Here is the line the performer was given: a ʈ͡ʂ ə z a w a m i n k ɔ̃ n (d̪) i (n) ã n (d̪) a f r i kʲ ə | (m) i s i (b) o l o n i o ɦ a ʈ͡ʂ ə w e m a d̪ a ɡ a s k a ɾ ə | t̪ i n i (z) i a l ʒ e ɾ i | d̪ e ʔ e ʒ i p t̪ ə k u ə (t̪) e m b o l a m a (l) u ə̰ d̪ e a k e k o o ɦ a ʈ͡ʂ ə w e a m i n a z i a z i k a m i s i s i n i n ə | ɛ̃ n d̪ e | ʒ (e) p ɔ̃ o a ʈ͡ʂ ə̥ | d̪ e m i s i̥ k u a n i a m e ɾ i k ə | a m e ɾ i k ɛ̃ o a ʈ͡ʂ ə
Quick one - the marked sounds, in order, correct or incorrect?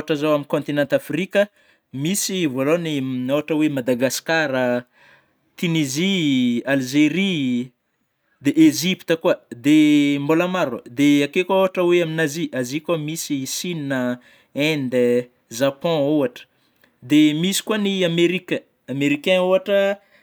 incorrect: t̪, correct, incorrect: t̪, correct, incorrect: v, correct, incorrect: d̪, incorrect: ɾ, incorrect: a

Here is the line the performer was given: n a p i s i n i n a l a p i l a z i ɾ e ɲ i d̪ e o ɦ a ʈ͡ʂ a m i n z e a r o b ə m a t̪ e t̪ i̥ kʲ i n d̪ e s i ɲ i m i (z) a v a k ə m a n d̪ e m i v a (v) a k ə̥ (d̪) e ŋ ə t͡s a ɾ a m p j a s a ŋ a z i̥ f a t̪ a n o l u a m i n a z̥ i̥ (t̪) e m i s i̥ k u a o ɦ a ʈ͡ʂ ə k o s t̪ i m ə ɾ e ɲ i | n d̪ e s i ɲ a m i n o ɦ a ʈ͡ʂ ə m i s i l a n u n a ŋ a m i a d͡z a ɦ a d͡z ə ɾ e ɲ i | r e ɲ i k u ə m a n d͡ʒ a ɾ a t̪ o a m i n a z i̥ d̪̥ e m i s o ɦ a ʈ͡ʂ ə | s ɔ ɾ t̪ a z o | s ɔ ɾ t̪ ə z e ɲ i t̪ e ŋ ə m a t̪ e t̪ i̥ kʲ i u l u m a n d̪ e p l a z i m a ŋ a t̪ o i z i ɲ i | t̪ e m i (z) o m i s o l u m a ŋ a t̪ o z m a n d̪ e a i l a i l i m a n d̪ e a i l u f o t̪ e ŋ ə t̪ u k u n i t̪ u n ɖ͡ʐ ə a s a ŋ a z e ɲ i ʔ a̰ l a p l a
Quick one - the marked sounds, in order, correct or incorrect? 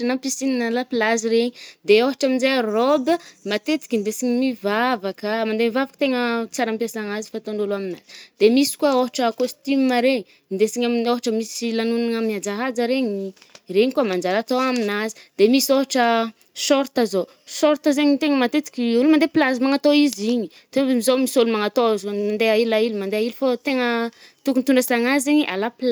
incorrect: v, correct, incorrect: t̪, incorrect: d̪, correct

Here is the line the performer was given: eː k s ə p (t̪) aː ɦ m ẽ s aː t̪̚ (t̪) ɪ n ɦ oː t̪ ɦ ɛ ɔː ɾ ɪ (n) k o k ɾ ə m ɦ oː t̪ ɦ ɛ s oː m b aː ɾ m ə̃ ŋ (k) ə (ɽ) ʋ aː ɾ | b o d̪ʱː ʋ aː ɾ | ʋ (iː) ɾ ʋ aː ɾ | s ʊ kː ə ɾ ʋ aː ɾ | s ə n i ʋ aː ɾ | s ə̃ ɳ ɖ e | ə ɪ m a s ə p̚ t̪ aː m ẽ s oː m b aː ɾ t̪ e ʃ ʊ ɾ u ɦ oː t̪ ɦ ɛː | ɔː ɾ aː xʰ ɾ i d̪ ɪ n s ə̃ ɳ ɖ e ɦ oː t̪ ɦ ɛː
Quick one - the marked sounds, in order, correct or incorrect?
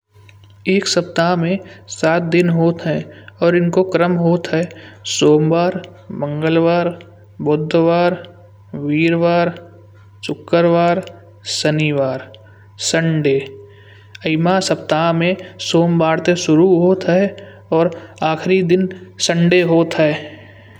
correct, incorrect: d̪, correct, incorrect: ɡ, incorrect: l, correct

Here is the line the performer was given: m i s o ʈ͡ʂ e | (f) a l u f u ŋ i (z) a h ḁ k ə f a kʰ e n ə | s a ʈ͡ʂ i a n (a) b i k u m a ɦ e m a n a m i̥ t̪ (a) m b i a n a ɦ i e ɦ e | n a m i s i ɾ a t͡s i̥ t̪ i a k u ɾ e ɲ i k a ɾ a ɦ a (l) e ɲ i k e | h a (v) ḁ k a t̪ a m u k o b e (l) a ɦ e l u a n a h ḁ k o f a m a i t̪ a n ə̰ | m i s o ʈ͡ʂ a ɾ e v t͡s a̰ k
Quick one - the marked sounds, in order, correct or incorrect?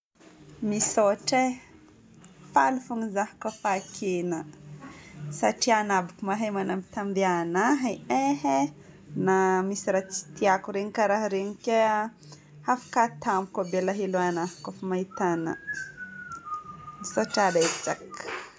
correct, correct, correct, correct, incorrect: ɾ, incorrect: f, correct

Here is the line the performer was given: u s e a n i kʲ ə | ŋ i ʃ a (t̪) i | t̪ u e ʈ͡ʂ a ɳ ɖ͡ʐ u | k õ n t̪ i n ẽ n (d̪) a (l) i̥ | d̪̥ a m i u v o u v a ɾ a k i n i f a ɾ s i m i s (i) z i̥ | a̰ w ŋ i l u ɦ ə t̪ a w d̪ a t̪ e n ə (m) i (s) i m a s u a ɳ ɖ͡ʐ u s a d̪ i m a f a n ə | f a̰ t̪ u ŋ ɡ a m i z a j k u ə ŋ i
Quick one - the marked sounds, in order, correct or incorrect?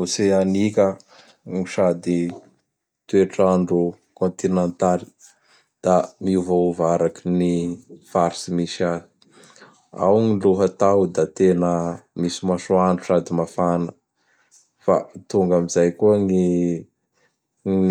incorrect: d̪, incorrect: t̪, correct, incorrect: a, correct, correct

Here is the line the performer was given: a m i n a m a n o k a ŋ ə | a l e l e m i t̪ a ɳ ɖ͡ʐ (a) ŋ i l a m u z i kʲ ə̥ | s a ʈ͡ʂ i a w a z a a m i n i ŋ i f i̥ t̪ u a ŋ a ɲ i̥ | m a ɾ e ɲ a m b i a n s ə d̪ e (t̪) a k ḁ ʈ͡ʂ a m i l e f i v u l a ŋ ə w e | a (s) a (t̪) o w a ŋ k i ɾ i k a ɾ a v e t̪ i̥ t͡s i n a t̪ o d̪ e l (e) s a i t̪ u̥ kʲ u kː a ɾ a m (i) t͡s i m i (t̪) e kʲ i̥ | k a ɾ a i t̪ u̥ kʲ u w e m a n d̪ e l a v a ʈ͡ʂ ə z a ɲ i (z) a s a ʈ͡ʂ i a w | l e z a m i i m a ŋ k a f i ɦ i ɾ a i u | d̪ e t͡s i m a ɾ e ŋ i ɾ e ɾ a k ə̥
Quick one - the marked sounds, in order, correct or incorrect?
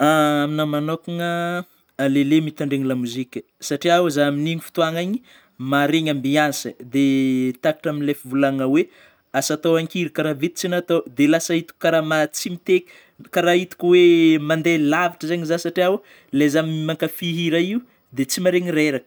incorrect: e, correct, correct, correct, incorrect: a, incorrect: a, correct, correct

